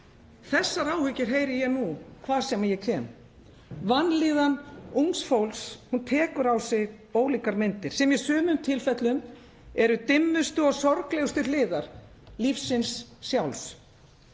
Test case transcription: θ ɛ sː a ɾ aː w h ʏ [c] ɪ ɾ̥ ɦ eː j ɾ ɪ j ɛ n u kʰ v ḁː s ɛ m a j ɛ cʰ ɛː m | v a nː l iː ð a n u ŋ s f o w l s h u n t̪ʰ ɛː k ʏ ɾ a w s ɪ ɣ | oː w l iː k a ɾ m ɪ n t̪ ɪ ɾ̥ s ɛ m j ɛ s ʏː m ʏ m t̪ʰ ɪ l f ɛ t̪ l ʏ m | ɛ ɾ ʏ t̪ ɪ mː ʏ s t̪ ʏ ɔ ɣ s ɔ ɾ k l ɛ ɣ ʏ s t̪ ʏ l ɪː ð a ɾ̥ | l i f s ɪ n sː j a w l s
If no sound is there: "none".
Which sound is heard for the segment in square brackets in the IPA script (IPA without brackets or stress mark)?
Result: c